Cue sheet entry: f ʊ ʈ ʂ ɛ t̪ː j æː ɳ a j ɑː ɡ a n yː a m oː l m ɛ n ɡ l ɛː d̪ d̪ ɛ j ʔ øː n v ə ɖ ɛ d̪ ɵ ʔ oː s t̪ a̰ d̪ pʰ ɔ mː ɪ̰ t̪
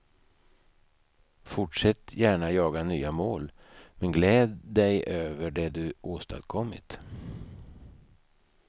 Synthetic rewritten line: f ʊ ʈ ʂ ɛ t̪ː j æː ɳ a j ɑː ɡ a n yː a m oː l m ɛ n ɡ l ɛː d̪ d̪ ɛ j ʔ øː v ə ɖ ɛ d̪ ɵ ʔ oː s t̪ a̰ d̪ kʰ ɔ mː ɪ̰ t̪